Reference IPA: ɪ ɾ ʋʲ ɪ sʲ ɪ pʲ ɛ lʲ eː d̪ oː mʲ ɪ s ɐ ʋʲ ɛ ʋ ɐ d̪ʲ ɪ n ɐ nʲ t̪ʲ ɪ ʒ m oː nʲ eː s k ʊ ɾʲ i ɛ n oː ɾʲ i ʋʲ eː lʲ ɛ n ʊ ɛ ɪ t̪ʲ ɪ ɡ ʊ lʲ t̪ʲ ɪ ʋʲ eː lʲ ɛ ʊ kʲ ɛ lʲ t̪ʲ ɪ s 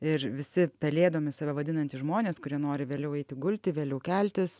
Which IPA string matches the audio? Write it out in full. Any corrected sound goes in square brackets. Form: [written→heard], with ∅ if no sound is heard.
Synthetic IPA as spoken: ɪ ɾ ʋʲ ɪ sʲ ɪ pʲ ɛ lʲ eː d̪ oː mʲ ɪ s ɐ ʋʲ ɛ ʋ ɐ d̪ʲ ɪ n ɐ nʲ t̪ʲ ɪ ʒ m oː nʲ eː s k ʊ ɾʲ i ɛ n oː ɾʲ [i→ɪ] ʋʲ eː lʲ ɛ [n→∅] ʊ ɛ ɪ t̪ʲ ɪ ɡ ʊ lʲ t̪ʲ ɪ ʋʲ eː lʲ ɛ ʊ kʲ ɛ lʲ t̪ʲ ɪ s